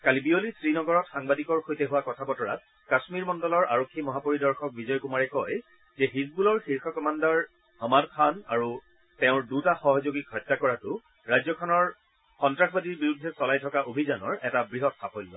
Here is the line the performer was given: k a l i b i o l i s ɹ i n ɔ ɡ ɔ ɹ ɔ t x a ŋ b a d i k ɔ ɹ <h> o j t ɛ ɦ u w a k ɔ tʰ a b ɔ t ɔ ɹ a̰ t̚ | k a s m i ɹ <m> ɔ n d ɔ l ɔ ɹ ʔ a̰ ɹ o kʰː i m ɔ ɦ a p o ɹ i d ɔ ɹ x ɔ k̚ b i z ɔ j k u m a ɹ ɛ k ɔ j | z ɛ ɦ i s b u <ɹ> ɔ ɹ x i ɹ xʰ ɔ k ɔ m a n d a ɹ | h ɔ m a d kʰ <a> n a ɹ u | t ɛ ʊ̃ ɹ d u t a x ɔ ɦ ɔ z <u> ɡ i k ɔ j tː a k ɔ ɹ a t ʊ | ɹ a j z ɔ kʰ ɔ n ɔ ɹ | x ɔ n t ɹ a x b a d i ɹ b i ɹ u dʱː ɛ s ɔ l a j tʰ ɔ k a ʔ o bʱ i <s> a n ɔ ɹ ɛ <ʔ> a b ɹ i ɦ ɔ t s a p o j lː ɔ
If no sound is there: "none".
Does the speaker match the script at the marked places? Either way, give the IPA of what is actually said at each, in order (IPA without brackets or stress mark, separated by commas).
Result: x, m, l, a, o, z, t